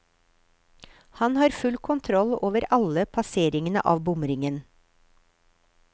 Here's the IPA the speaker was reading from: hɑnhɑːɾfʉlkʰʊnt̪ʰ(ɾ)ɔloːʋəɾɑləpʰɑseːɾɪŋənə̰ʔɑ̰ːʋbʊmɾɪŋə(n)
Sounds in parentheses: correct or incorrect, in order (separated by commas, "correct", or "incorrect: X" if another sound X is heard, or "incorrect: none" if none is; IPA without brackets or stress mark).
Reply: correct, correct